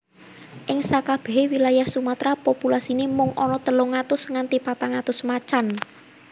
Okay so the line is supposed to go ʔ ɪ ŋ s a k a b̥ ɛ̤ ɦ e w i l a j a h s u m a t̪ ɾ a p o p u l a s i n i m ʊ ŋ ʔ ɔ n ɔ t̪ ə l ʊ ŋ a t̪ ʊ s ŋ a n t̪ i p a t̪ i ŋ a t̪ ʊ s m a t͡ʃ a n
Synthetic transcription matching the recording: ʔ ɪ ŋ s a k a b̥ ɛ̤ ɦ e w i l a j a h s u m a t̪ ɾ a p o p u l a s i n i m ʊ ŋ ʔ ɔ n ɔ t̪ ə l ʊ ŋ a t̪ ʊ s ŋ a n t̪ i p a t̪ a ŋ a t̪ ʊ s m a t͡ʃ a n